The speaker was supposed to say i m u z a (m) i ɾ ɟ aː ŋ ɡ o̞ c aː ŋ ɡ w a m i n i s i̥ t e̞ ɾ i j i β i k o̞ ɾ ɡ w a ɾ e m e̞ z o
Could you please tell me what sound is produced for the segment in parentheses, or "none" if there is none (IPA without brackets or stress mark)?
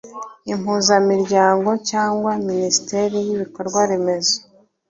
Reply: m